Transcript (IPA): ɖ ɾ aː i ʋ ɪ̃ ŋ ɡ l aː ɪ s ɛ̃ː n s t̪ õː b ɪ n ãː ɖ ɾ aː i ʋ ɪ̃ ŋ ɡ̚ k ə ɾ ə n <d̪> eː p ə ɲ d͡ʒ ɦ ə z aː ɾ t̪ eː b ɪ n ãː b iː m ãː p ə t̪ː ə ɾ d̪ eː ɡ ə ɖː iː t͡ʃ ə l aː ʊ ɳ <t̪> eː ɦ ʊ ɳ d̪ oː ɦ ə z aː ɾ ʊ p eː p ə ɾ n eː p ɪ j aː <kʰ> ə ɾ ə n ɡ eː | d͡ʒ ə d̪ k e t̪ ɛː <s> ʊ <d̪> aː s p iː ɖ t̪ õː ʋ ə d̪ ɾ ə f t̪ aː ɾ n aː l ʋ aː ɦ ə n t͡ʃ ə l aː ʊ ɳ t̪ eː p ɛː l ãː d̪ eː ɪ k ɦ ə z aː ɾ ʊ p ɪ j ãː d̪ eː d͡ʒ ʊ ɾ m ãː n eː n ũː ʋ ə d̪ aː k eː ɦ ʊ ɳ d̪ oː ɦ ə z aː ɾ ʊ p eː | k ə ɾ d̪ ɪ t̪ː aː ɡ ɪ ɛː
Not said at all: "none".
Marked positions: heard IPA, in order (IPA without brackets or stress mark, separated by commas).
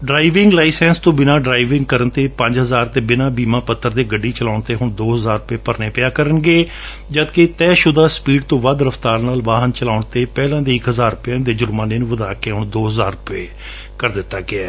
t̪, t̪, k, ʃ, d̪